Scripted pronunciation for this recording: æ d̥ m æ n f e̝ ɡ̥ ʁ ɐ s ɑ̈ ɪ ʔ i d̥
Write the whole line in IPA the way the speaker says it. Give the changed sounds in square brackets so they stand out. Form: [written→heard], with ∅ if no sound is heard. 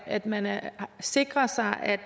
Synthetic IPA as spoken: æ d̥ m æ n [f→s] e̝ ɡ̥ ʁ ɐ s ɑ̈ ɪ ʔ [i→æ] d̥